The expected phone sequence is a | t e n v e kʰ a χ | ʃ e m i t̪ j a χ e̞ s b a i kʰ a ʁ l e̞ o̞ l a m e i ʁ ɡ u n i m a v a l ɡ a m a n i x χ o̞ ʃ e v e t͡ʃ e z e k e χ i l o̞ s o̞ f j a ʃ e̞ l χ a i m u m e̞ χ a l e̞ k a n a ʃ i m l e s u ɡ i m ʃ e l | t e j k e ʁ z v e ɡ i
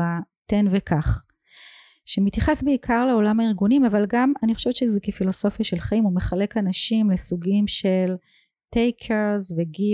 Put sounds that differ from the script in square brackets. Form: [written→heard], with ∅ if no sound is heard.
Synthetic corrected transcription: a | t e n v e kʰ a χ | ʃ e m i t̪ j a χ e̞ s b [a→e] i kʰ a ʁ l e̞ o̞ l a m [e→a] i ʁ ɡ u n i m a v a l ɡ a m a n i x χ o̞ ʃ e v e t͡ʃ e z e k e [χ→f] i l o̞ s o̞ f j a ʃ e̞ l χ a i m u m e̞ χ a l e̞ k a n a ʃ i m l e s u ɡ i m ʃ e l | t e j [k→kʰ] e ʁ z v e ɡ i